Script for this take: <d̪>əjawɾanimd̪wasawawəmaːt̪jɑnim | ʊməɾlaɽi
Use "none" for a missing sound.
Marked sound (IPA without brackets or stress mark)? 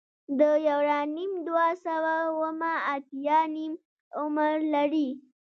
d̪